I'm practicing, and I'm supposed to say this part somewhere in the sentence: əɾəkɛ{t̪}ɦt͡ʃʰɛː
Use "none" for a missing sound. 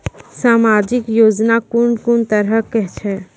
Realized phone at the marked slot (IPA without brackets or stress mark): none